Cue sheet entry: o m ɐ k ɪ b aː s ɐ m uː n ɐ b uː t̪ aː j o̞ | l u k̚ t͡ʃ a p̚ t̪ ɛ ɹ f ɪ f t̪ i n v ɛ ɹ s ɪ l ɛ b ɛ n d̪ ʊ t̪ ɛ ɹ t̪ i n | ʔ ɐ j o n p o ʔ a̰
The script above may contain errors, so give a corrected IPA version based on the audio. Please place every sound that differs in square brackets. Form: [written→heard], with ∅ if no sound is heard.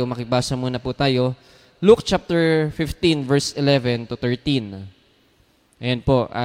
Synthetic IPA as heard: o m ɐ k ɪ b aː s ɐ m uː n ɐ [b→p] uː t̪ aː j o̞ | l u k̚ t͡ʃ a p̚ t̪ ɛ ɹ f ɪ f t̪ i n v ɛ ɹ s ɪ l ɛ [b→v] ɛ n [d̪→t̪] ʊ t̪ ɛ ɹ t̪ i n | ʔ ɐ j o n p o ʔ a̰